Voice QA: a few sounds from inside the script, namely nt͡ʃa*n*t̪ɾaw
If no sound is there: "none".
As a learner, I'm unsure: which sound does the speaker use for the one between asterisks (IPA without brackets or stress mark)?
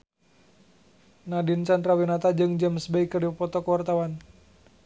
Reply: n